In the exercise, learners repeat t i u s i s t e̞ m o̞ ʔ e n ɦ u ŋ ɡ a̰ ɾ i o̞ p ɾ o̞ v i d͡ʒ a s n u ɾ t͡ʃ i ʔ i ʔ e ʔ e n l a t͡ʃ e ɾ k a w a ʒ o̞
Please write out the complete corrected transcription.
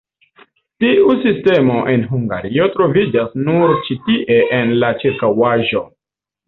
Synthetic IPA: t i u s i s t e̞ m o̞ ʔ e n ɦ u ŋ ɡ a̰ ɾ i o̞ t ɾ o̞ v i d͡ʒ a s n u ɾ t͡ʃ i t i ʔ e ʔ e n l a t͡ʃ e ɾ k a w a ʒ o̞